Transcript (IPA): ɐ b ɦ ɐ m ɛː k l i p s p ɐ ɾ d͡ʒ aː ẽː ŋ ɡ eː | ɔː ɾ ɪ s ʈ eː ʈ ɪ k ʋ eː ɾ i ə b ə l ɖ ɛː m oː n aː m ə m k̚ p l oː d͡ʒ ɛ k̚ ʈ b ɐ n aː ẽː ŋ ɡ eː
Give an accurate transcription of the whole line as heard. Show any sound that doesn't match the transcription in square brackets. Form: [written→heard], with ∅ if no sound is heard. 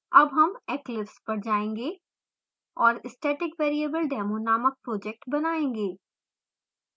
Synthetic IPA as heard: ɐ b ɦ ɐ m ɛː k l [i→ɪ] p s p ɐ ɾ d͡ʒ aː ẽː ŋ ɡ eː | ɔː ɾ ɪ s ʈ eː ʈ ɪ k ʋ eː ɾ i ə b ə l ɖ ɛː m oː n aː m ə [m→∅] k̚ p [l→ɾ] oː d͡ʒ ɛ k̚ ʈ b ɐ n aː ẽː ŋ ɡ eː